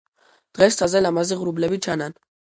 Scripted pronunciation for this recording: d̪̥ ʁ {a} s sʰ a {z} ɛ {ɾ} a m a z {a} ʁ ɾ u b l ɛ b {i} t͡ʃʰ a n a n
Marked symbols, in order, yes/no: no, yes, no, no, yes

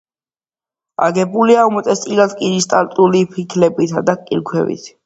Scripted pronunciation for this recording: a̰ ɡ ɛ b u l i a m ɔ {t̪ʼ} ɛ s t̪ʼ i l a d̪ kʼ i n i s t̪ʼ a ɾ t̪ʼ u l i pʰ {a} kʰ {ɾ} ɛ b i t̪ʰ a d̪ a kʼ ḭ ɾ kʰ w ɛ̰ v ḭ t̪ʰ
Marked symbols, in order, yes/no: yes, no, no

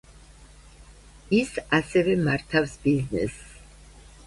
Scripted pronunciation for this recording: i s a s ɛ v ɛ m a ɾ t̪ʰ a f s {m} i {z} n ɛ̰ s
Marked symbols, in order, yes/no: no, yes

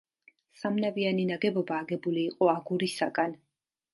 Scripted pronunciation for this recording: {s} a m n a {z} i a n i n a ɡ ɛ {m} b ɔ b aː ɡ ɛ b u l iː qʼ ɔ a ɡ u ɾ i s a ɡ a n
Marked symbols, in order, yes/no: yes, no, no

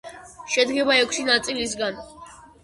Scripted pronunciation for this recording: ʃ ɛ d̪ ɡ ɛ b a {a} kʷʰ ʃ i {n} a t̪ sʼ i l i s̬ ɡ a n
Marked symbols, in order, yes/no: no, yes

